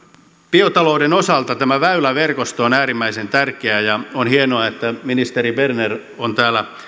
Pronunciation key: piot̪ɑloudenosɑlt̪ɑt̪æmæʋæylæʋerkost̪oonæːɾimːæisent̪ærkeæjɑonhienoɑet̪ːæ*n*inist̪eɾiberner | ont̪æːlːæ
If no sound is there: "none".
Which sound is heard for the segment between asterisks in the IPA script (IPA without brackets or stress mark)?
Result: m